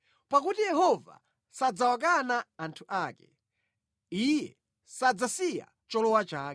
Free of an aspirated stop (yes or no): no